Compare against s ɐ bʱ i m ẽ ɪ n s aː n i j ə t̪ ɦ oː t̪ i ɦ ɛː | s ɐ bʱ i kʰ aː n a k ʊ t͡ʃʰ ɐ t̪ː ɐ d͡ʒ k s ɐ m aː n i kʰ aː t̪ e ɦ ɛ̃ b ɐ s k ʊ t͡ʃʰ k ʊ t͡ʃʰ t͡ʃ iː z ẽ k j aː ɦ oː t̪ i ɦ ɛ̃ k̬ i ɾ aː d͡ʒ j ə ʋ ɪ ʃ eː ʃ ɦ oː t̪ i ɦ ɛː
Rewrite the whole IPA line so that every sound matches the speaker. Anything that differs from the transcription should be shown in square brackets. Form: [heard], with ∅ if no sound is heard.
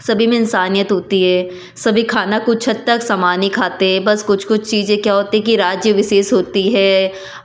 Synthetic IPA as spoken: s ɐ bʱ i m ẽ ɪ n s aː n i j ə t̪ ɦ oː t̪ i ɦ ɛː | s ɐ bʱ i kʰ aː n a k ʊ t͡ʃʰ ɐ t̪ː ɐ [∅] k s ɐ m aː n i kʰ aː t̪ e ɦ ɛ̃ b ɐ s k ʊ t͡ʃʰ k ʊ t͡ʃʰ t͡ʃ iː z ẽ k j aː ɦ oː t̪ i ɦ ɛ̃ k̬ i ɾ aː d͡ʒ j ə ʋ ɪ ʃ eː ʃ ɦ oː t̪ i ɦ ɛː